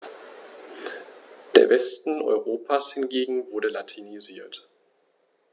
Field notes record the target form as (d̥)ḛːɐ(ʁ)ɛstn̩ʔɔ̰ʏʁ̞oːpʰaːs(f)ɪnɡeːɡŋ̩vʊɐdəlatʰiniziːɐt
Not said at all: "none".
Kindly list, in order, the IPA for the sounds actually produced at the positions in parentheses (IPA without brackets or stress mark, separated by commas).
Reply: d̥, v, h